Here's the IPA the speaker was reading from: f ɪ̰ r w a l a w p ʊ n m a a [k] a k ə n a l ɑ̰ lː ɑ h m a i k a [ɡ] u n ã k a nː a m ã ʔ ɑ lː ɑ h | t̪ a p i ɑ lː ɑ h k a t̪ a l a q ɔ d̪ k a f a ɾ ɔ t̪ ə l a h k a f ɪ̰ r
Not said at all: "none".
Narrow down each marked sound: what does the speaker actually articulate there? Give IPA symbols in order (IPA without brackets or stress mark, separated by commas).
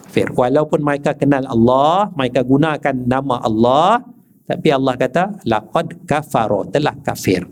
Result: k, ɡ